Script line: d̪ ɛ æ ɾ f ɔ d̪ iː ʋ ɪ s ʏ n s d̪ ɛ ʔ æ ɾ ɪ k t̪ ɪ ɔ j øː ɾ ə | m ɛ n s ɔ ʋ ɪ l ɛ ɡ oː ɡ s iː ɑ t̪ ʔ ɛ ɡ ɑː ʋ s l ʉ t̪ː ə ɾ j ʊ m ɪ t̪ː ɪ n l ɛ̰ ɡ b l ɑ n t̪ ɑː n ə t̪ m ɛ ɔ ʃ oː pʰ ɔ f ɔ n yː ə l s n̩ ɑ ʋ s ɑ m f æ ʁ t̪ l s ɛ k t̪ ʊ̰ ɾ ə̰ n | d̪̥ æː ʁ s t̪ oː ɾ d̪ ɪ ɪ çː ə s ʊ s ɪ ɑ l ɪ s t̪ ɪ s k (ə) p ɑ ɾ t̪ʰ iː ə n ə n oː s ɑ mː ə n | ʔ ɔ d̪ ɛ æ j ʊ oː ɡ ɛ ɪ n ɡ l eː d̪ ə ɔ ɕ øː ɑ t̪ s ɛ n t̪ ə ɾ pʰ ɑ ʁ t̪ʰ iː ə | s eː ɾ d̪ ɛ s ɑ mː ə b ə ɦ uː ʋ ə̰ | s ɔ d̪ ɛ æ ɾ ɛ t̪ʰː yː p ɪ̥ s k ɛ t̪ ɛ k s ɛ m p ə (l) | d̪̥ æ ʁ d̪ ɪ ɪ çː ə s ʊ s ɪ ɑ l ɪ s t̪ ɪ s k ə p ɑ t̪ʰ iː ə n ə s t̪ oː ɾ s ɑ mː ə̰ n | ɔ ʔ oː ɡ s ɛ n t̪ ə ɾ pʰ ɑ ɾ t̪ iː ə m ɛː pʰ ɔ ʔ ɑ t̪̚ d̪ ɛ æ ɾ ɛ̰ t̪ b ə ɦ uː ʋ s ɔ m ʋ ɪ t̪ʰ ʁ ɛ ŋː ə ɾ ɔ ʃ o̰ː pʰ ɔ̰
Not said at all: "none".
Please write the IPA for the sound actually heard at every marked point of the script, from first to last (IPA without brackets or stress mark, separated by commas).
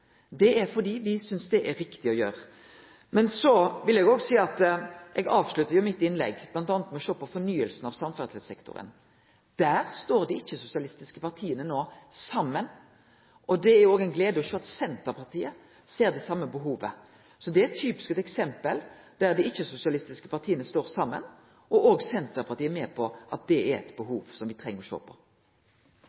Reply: ə, l